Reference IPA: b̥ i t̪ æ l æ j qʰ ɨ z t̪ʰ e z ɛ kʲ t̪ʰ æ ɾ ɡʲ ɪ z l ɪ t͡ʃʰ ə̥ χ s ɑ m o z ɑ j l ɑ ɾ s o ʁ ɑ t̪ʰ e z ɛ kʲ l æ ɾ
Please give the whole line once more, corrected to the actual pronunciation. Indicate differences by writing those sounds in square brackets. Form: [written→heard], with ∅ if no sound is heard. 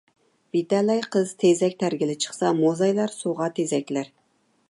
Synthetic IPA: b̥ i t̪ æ l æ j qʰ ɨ z t̪ʰ e z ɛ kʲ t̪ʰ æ ɾ ɡʲ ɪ [z→∅] l ɪ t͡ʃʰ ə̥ χ s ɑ m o z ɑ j l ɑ ɾ s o ʁ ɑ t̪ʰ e z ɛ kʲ l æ ɾ